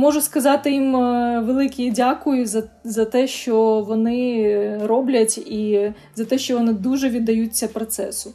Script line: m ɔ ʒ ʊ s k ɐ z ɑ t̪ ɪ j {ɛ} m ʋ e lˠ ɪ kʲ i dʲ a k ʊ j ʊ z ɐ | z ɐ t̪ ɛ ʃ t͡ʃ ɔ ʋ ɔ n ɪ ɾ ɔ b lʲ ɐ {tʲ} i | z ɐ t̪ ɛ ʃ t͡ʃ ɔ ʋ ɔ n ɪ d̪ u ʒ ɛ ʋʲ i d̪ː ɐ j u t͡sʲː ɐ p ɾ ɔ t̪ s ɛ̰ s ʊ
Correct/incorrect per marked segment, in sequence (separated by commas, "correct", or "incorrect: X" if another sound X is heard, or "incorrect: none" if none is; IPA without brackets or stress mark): incorrect: i, correct